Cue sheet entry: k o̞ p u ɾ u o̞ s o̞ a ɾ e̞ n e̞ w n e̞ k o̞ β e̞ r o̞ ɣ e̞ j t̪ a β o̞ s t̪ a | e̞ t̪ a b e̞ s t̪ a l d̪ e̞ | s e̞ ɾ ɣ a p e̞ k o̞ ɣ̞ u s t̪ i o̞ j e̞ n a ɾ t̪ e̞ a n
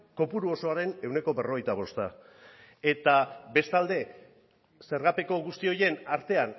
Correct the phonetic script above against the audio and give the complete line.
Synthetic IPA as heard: k o̞ p u ɾ u o̞ s o̞ a ɾ e̞ n e̞ w n e̞ k o̞ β e̞ r o̞ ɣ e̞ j t̪ a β o̞ s t̪ a | e̞ t̪ a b e̞ s t̪ a l d̪ e̞ | s e̞ ɾ ɣ a p e̞ k o̞ ɣ̞ u s t̪ i o̞ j e̞ n a ɾ t̪ e̞ a n